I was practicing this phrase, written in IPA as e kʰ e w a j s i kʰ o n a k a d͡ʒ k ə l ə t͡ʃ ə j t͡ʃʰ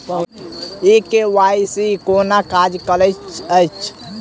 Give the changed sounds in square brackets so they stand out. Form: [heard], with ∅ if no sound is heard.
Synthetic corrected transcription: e [k] e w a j s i [k] o n a k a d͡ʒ k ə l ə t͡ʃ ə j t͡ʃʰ